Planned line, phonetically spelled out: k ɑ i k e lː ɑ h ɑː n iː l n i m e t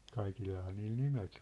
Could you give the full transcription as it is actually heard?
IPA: k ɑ i k i lː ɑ h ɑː n iː l n i m e t

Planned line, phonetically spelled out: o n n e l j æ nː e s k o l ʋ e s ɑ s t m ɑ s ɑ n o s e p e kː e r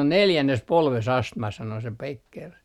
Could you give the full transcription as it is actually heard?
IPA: o n n e l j æ nː e s p o l ʋ e s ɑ s t m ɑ s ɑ n o s e p e kː e r

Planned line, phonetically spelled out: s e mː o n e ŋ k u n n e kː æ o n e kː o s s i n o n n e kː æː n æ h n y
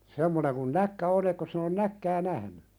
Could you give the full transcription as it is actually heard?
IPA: s e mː o n e ŋ k u n n æ kː æ o n e kː o s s i n o n n æ kː æː n æ h n y

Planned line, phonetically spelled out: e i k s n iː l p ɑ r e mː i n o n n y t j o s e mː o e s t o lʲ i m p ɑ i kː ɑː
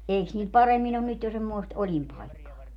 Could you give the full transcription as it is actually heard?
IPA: e i k s n iː l p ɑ r e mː i n o n n y t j o s e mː o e s t o lʲ i m p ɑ i kː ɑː

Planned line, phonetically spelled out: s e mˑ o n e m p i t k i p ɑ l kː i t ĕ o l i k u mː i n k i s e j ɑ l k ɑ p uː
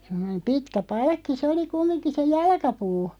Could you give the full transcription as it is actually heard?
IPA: s e mˑ o n e m p i t k æ p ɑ l kː i s ĕ o l i k u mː i n k i s e j ɑ l k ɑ p uː

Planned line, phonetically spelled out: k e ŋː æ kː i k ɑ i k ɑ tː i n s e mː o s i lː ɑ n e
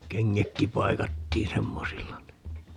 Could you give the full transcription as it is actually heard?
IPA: k e ŋː æ kː i p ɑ i k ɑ tː iː n s e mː o s i lː ɑ n i

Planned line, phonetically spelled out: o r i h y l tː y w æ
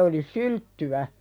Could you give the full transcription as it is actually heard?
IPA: o l i s y l tː y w æ

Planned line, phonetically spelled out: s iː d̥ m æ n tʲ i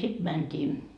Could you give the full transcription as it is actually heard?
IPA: s i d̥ m æ n tʲ iː

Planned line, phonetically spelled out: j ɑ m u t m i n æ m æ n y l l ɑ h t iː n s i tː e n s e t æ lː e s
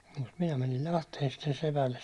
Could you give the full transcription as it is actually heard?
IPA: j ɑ m u t m i n æ m æ n i l l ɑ h t eː n s i tː e n s e p æ lː e s

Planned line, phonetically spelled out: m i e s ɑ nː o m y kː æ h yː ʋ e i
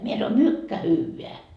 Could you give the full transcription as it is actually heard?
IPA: m i e s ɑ n o m y kː æ h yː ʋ e æ

